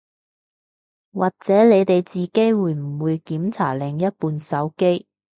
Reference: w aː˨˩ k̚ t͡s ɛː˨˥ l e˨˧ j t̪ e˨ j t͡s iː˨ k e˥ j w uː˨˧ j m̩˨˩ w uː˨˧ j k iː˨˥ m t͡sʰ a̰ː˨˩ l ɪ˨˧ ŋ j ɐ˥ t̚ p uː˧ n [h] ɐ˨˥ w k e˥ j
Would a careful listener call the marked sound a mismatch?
yes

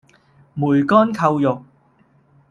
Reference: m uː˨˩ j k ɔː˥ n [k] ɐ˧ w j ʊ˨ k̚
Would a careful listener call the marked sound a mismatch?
yes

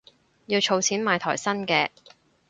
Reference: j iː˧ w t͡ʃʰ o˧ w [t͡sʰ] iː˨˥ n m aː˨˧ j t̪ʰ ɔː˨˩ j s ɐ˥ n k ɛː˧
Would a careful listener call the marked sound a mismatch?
no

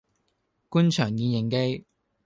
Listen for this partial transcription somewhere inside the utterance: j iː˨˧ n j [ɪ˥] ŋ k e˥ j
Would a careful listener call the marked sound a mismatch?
yes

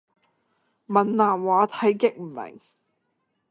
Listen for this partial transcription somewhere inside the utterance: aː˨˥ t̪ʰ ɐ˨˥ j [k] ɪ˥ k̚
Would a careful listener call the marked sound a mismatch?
no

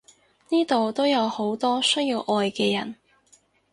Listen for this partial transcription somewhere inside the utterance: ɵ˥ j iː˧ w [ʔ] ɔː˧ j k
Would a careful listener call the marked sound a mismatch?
no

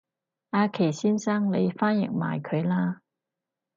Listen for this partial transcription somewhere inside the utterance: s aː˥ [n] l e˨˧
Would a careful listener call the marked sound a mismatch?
yes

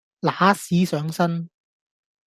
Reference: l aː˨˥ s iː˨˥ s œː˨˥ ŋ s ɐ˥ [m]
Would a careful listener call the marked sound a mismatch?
yes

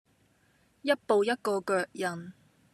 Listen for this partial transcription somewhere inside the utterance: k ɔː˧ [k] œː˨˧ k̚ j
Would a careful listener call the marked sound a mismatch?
no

